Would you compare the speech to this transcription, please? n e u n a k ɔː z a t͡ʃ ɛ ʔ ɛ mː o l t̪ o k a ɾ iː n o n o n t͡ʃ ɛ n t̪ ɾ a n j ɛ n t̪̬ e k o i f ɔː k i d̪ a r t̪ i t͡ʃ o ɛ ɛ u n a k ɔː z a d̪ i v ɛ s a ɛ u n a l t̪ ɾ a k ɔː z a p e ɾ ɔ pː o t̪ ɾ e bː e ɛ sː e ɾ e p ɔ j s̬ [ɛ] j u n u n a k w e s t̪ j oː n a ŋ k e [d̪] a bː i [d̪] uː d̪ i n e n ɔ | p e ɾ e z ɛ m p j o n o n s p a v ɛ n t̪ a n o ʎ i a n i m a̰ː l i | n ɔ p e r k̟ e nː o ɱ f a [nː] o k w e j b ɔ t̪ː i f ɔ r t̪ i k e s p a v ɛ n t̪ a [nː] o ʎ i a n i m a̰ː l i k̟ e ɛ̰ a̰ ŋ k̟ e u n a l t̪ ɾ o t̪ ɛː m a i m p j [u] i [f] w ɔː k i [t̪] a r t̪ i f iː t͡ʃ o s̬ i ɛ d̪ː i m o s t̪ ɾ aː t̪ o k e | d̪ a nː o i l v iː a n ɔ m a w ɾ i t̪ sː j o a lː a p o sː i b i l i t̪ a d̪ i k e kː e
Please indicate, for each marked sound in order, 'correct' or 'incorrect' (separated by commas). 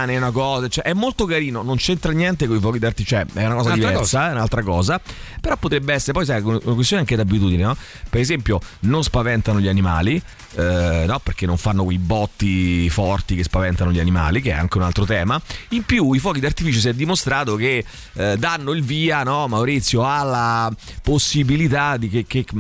incorrect, correct, incorrect, correct, incorrect, correct, correct, incorrect